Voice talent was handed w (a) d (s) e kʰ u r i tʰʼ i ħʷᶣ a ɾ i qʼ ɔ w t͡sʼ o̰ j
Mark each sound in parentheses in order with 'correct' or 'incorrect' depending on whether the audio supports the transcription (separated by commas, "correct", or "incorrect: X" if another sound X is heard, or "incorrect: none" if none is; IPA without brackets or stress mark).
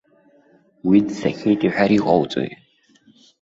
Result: incorrect: i, correct